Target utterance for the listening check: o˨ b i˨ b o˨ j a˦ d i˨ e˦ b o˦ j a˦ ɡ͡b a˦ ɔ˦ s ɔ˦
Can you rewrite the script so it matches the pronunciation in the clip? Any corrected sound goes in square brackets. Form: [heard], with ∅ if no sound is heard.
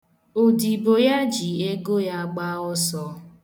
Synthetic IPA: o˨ [d] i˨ b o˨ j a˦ [d͡ʒ] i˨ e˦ [ɡ] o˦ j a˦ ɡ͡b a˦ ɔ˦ s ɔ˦